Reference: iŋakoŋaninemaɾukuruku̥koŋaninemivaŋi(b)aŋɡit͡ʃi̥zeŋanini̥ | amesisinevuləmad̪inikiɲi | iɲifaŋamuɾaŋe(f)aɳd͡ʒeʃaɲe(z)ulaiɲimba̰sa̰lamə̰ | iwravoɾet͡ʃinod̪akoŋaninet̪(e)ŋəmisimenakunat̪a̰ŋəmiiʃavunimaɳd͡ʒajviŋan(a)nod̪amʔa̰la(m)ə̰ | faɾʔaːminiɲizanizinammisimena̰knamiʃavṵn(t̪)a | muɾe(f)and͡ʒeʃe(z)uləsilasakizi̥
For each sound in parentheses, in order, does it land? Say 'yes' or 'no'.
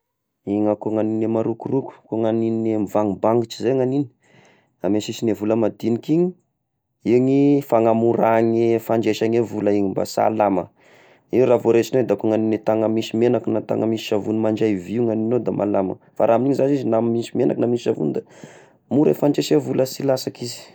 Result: yes, yes, no, no, no, yes, no, yes, no

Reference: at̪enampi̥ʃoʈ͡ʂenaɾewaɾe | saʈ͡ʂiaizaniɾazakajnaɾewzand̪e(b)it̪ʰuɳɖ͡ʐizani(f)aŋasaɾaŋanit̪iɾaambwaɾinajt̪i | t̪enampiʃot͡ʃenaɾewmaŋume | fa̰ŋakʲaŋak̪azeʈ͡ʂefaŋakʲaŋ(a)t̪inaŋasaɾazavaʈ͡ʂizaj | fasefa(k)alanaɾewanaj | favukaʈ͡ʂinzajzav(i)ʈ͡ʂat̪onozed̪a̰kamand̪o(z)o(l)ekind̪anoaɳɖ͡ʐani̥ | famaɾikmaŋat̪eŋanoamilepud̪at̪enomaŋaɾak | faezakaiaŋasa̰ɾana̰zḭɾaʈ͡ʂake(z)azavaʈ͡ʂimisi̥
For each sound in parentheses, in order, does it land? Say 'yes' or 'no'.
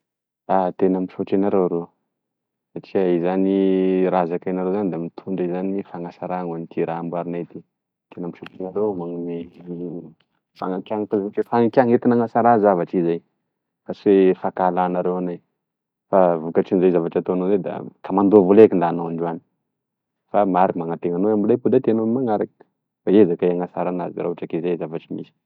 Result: no, yes, no, yes, no, no, yes, yes

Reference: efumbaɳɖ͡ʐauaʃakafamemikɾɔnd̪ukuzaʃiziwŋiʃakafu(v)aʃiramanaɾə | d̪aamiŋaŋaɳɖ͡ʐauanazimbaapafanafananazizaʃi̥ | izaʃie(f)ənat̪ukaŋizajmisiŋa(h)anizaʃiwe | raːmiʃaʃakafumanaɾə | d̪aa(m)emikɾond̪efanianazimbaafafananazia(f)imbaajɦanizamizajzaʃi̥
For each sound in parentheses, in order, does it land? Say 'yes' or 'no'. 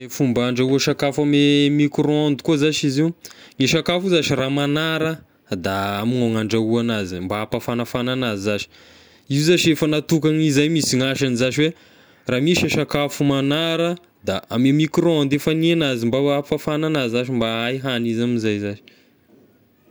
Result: no, yes, no, yes, no

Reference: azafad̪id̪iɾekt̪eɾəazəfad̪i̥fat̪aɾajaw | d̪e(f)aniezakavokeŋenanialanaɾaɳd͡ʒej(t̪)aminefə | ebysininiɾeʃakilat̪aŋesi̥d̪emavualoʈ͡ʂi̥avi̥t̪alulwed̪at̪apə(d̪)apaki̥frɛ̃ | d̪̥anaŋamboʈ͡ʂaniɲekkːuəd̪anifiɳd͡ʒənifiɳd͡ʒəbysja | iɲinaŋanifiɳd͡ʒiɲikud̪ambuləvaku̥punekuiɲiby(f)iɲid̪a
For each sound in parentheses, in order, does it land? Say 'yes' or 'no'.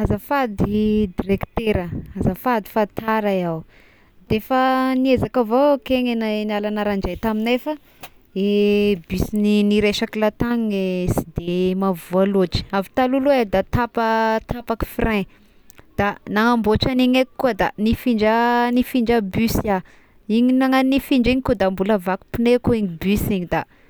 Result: yes, yes, no, no

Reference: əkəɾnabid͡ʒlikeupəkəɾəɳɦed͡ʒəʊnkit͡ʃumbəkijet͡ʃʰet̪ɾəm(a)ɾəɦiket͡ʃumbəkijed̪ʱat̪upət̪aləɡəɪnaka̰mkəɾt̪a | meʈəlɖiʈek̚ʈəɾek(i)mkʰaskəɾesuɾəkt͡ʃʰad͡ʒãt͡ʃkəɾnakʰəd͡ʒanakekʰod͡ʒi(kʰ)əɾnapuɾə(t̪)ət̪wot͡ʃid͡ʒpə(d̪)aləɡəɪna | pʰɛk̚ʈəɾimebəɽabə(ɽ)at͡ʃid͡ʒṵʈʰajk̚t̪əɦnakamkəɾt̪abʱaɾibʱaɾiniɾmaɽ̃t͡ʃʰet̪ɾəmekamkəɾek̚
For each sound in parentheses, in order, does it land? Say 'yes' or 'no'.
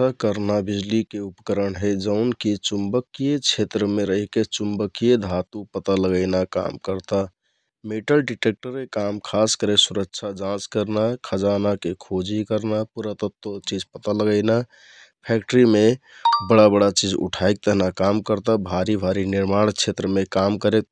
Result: no, no, no, yes, no, yes

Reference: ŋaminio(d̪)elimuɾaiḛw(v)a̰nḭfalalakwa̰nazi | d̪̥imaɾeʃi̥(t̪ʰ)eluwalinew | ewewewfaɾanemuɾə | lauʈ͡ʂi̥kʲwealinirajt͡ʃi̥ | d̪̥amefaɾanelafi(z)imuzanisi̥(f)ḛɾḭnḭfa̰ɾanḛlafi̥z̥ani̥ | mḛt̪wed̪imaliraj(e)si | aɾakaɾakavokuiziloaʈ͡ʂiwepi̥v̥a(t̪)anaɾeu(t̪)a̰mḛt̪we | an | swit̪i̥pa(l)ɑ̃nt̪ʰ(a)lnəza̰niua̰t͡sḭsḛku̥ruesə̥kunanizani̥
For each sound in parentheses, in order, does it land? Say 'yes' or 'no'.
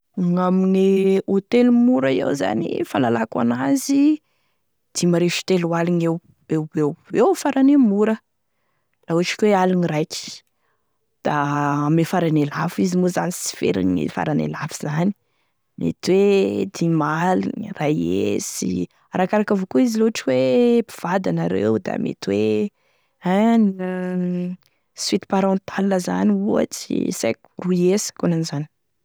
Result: no, no, no, yes, yes, yes, no, no, no, yes

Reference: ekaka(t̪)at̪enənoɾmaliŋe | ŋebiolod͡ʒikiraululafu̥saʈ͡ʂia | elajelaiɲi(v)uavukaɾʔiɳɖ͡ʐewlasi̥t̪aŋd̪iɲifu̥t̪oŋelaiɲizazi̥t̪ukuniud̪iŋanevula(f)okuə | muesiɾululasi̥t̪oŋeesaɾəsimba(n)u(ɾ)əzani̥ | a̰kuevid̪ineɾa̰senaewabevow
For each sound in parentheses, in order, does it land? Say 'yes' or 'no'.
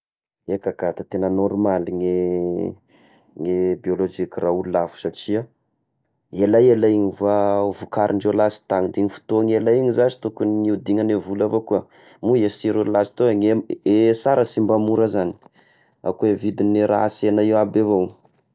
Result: yes, yes, no, no, yes

